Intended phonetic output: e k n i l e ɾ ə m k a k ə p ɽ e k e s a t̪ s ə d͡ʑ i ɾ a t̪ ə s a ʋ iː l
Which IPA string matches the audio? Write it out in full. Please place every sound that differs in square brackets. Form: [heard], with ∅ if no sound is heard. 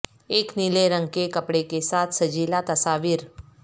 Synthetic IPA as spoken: e k n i l e ɾ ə [ŋ] k [e] k ə p ɽ e k e s a t̪ s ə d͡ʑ i [l] a t̪ ə s a ʋ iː [ɾ]